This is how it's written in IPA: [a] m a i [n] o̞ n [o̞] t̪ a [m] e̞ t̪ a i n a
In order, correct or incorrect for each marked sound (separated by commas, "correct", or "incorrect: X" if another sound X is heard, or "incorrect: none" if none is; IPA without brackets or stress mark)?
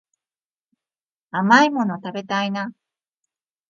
correct, incorrect: m, correct, incorrect: b